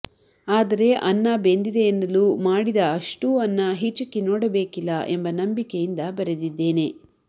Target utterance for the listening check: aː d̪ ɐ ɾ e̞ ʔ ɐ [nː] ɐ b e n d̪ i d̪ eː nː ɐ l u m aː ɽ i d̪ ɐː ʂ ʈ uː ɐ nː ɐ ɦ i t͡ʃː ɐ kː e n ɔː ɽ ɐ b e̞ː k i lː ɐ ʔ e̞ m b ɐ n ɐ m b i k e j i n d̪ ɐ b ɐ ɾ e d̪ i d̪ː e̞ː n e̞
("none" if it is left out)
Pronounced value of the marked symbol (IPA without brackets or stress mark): nː